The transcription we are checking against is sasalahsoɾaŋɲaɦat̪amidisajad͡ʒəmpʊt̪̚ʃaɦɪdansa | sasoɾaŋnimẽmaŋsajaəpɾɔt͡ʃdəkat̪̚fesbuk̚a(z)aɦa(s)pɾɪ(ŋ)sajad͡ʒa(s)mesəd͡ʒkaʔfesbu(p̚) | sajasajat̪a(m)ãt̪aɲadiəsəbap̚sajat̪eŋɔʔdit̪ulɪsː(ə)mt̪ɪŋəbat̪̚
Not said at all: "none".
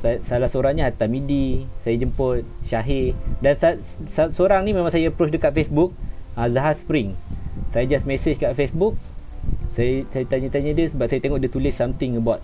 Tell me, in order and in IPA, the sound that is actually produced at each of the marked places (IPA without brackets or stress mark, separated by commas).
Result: z, s, ŋ, s, k̚, ɲ, a